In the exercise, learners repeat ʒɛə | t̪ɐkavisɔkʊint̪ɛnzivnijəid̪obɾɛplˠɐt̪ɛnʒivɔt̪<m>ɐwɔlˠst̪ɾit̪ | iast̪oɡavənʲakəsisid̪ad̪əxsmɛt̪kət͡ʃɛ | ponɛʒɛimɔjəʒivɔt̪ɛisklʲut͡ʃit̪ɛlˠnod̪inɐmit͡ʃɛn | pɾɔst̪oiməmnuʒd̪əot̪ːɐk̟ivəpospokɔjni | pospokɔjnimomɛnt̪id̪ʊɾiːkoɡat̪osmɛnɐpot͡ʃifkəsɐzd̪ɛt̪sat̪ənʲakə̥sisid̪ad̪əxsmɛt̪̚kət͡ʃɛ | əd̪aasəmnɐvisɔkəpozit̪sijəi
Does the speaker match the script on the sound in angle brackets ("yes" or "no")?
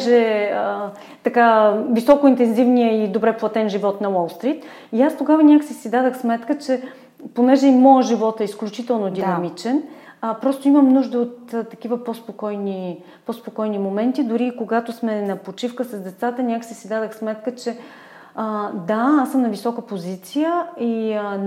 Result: no